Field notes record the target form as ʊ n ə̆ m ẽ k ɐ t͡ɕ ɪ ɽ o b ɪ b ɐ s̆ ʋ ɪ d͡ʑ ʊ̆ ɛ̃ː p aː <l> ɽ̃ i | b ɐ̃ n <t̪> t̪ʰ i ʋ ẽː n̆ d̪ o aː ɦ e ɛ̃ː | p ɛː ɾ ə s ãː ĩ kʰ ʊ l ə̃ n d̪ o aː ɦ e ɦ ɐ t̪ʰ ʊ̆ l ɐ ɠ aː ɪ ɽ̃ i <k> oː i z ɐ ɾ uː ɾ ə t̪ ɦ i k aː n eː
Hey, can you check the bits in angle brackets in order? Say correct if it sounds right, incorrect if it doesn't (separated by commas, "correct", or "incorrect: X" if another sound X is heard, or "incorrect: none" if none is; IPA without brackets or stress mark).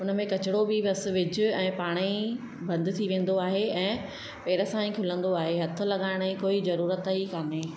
incorrect: none, incorrect: d̪, correct